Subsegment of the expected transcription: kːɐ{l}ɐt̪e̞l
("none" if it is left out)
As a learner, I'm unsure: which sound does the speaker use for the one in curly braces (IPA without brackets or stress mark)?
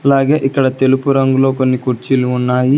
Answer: ɽ